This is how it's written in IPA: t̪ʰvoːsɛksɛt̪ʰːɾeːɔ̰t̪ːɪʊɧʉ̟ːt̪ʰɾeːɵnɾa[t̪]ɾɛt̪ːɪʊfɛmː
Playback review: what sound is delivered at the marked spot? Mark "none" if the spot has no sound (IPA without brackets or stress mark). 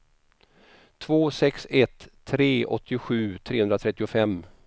t̪ʰ